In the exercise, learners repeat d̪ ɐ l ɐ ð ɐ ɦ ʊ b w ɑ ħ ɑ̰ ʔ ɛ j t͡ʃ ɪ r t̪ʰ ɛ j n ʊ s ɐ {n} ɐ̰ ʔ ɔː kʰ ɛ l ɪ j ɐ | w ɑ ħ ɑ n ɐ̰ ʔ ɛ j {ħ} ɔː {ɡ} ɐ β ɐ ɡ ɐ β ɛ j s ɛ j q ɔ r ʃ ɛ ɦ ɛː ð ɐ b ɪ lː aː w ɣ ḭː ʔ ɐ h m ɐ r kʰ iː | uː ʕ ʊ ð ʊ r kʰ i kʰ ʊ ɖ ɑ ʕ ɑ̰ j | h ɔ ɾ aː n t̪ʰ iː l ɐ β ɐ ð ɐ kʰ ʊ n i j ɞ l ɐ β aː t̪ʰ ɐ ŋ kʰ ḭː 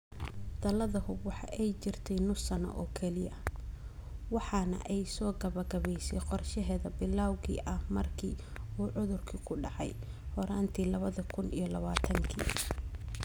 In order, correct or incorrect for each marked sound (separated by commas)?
correct, incorrect, correct